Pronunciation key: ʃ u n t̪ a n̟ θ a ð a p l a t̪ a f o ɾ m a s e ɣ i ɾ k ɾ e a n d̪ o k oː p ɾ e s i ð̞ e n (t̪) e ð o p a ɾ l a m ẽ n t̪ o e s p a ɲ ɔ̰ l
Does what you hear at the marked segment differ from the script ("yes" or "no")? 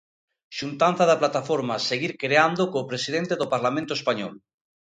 no